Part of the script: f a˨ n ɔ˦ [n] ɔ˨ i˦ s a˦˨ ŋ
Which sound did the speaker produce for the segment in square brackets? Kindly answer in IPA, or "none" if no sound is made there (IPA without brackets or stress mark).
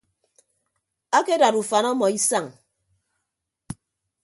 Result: m